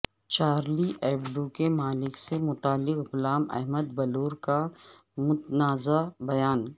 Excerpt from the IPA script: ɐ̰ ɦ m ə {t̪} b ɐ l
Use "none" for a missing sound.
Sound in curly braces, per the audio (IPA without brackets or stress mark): d̪